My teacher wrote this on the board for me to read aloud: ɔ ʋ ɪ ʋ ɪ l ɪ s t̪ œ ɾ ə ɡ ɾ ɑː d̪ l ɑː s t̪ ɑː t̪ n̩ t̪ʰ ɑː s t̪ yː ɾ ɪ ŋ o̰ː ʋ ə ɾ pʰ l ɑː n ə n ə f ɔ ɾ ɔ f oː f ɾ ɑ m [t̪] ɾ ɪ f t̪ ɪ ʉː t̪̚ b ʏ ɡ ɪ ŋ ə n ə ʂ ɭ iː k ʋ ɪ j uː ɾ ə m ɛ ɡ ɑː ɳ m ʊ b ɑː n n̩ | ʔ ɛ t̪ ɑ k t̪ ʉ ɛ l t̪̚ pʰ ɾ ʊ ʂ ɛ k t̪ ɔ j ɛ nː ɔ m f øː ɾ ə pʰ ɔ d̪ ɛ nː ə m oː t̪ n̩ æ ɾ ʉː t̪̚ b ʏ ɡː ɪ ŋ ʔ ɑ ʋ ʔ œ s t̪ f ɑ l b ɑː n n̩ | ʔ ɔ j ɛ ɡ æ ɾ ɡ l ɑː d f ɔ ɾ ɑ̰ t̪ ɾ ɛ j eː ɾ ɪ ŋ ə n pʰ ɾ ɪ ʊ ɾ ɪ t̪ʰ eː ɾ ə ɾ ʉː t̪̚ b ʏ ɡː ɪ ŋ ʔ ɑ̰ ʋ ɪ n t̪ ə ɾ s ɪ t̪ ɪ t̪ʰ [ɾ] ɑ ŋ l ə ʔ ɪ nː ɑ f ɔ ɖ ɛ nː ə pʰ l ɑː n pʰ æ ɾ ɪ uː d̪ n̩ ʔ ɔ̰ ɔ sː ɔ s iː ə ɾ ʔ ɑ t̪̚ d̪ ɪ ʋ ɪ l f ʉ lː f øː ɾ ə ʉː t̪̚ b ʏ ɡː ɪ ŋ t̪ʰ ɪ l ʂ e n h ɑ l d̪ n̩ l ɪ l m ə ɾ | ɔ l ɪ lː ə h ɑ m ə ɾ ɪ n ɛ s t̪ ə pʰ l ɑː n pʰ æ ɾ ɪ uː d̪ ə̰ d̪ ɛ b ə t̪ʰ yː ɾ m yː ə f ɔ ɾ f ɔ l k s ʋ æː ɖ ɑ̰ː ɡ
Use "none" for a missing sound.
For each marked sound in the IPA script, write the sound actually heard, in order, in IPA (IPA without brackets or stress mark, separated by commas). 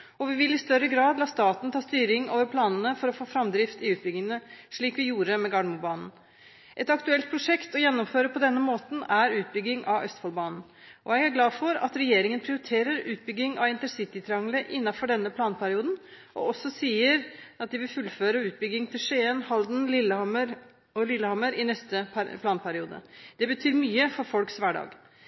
d̪, ɾ